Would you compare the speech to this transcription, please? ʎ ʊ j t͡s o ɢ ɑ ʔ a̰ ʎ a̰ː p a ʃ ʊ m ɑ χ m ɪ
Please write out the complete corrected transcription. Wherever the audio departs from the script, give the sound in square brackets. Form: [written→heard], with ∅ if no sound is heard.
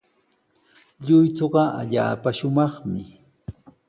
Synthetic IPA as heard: ʎ ʊ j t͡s o ɢ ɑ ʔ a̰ ʎ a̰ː p a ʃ ʊ m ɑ χ m ɪ

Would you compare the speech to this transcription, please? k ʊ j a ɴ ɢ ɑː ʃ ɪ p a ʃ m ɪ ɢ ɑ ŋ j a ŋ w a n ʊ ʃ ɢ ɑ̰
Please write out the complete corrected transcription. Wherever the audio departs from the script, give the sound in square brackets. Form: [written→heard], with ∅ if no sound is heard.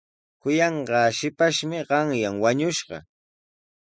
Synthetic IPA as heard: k ʊ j [a→ɑ] ɴ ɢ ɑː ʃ ɪ p a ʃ m ɪ ɢ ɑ ŋ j a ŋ w a [n→ɲ] ʊ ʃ ɢ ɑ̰

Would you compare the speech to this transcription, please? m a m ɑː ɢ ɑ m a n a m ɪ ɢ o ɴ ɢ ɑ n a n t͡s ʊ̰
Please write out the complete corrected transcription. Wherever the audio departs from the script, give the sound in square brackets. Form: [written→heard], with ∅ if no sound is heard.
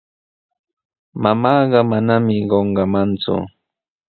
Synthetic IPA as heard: m a m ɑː ɢ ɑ m a n a m ɪ ɢ o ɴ ɢ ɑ [n→m] a n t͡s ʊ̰

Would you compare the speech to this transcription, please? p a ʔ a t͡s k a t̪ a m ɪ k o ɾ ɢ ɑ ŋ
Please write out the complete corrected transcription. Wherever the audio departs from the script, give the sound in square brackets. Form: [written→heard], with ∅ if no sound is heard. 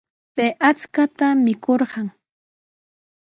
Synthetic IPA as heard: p [a→e] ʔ a t͡s k a t̪ a m ɪ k o ɾ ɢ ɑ ŋ

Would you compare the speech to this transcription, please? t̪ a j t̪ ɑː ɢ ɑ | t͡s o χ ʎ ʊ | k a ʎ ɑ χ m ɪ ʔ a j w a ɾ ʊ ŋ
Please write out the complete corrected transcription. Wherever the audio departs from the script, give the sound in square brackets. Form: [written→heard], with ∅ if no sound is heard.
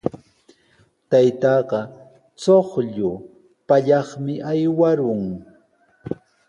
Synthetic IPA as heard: t̪ a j t̪ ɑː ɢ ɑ | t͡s o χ ʎ ʊ | [k→p] a ʎ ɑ χ m ɪ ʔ a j w a ɾ ʊ ŋ

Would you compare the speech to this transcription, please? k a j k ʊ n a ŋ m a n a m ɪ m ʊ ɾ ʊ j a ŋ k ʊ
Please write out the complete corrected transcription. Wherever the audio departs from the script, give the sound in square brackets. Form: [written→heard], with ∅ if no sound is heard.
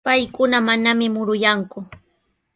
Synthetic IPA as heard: [k→p] a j k ʊ n a [ŋ→∅] m a n a m ɪ m ʊ ɾ ʊ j a ŋ k ʊ

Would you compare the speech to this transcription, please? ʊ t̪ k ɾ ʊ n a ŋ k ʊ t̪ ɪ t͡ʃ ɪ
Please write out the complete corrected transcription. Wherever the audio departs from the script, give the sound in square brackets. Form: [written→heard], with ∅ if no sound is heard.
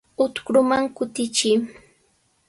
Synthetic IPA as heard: ʊ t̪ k ɾ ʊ [n→m] a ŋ k ʊ t̪ ɪ t͡ʃ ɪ

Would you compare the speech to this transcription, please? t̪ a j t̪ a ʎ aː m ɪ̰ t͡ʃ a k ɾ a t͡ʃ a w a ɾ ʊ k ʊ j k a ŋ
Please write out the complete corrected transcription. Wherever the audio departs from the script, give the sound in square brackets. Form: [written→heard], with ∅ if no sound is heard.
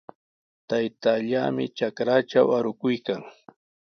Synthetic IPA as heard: t̪ a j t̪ a ʎ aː m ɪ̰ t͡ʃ a k ɾ a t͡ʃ a w a ɾ ʊ k ʊ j k a ŋ

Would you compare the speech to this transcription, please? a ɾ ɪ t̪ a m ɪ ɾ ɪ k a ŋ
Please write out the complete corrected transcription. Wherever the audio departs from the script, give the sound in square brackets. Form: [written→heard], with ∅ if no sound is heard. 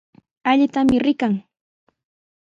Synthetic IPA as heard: a [ɾ→ʎ] ɪ t̪ a m ɪ ɾ ɪ k a ŋ

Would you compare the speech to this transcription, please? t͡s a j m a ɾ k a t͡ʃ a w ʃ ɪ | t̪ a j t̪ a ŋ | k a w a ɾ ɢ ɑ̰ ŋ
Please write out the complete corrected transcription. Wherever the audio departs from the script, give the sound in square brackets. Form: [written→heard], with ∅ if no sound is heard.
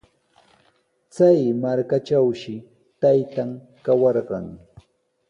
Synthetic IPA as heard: t͡s a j m a ɾ k a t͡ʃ a w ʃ ɪ | t̪ a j t̪ a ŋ | k a w [a→ɑ] ɾ ɢ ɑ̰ ŋ

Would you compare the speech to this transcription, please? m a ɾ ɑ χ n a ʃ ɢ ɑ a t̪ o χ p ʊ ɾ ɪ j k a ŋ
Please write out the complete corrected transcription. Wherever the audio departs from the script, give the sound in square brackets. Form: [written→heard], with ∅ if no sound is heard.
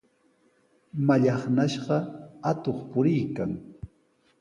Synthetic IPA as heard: m a [ɾ→ʎ] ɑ χ n a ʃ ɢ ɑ a t̪ o χ p ʊ ɾ ɪ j k a ŋ

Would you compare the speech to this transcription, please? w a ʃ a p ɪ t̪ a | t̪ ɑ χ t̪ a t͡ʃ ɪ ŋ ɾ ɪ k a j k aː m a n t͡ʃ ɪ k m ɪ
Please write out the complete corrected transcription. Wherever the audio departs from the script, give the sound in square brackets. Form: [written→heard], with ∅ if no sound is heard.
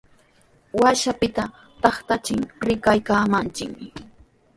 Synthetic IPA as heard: w a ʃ a p ɪ t̪ a | t̪ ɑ χ t̪ a t͡ʃ ɪ ŋ ɾ ɪ k a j k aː m a n t͡ʃ ɪ k m ɪ

